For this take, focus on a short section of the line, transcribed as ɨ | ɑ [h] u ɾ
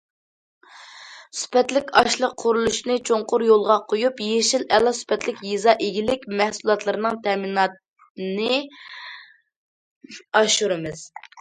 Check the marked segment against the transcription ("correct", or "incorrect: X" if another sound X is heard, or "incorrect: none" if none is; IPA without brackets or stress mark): incorrect: ʃ